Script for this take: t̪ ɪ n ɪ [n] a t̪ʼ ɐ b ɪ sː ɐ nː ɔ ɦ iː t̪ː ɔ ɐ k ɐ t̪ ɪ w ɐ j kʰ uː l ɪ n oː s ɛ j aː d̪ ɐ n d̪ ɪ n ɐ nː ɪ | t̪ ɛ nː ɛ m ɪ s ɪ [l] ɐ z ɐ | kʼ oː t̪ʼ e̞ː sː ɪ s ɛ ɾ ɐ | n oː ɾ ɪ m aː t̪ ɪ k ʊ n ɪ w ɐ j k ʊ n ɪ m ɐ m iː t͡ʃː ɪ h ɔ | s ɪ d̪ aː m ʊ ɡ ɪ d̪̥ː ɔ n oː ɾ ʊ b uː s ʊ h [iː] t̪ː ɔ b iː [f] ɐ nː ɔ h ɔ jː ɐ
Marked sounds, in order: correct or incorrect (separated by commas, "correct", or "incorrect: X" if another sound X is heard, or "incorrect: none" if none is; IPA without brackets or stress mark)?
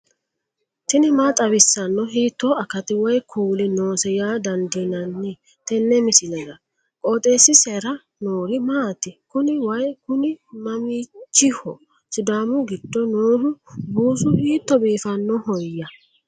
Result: incorrect: m, correct, correct, correct